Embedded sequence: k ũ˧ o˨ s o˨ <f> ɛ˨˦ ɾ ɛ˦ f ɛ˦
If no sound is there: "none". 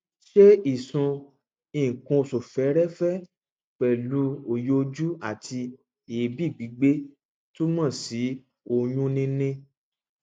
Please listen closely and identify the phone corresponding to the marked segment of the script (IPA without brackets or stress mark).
f